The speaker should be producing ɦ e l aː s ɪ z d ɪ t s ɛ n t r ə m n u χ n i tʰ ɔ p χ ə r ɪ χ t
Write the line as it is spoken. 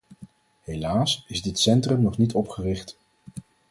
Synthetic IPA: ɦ e l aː s ɪ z d ɪ t s ɛ n t r ə m n ɔ χ n i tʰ ɔ p χ ə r ɪ χ t